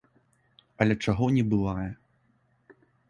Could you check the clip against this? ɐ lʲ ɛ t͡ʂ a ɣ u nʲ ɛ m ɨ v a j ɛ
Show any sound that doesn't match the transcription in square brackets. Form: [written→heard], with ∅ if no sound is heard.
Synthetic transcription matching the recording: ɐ lʲ ɛ t͡ʂ a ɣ [u→ɔ] nʲ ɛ [m→b] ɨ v a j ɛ